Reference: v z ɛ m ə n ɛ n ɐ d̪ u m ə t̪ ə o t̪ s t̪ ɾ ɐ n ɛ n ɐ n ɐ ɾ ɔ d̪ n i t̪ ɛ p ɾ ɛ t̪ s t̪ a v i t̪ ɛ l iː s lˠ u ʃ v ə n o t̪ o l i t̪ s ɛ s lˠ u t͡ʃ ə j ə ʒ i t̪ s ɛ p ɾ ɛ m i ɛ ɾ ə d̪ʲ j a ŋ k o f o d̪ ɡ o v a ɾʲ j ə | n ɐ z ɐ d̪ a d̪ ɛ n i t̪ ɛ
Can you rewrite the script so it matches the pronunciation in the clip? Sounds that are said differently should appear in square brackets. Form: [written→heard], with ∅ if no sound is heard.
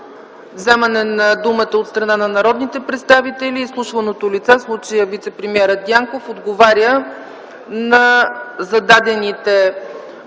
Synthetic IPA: v z ɛ m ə n ɛ n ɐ d̪ u m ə t̪ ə o t̪ s t̪ ɾ ɐ n [ɛ→a] n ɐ n ɐ ɾ ɔ d̪ n i t̪ ɛ p ɾ ɛ t̪ s t̪ a v i t̪ ɛ l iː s lˠ u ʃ v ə n o t̪ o l i t̪ s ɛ s lˠ u t͡ʃ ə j ə [ʒ→v] i t̪ s ɛ p ɾ ɛ m i ɛ ɾ ə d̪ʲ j a ŋ k o f o d̪ ɡ o v a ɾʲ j ə | n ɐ z ɐ d̪ a d̪ ɛ n i t̪ ɛ